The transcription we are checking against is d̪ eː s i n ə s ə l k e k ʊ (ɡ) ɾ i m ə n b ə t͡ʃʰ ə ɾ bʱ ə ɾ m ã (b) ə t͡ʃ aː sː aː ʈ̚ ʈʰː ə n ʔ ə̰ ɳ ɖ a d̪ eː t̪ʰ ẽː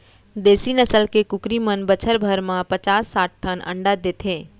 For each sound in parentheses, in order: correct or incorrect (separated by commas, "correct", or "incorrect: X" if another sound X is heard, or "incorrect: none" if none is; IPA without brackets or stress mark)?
incorrect: k, incorrect: p